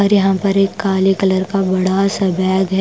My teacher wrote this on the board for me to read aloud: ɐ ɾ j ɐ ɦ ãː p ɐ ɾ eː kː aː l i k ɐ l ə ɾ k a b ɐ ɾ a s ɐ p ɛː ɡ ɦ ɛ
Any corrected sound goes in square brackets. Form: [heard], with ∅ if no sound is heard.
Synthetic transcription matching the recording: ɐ ɾ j ɐ ɦ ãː p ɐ ɾ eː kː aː l i k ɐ l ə ɾ k a b ɐ [ɽ] a s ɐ [b] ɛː ɡ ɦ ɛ